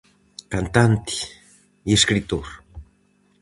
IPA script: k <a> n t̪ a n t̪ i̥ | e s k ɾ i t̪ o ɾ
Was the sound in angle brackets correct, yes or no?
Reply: yes